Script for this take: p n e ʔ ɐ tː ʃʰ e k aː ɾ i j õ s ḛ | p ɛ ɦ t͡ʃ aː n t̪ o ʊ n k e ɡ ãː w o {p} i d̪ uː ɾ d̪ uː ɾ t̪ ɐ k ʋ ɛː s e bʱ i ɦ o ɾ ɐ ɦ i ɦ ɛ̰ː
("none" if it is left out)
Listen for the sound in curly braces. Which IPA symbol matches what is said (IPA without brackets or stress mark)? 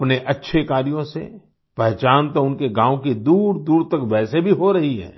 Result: k